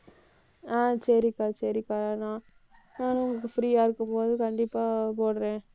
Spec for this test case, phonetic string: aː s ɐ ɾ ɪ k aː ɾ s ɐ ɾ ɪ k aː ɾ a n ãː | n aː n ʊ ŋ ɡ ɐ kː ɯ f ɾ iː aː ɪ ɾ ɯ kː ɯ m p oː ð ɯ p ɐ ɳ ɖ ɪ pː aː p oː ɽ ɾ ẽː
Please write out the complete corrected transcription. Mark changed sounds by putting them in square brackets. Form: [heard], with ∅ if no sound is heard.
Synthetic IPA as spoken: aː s ɐ ɾ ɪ k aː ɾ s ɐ ɾ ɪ k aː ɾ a n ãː | n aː n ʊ ŋ ɡ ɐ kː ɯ f ɾ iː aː ɪ ɾ ɯ kː ɯ m p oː ð ɯ [k] ɐ ɳ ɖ ɪ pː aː p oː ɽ ɾ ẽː